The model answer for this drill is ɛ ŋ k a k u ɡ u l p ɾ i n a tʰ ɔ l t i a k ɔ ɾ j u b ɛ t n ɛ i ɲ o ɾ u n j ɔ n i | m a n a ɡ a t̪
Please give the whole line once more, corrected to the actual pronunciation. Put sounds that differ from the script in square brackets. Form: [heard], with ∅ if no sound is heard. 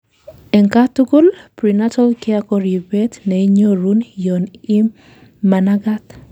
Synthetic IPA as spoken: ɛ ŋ k a [t] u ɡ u l p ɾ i n a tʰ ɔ l [k] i a k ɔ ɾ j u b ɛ t n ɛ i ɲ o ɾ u n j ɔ n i | m a n a ɡ a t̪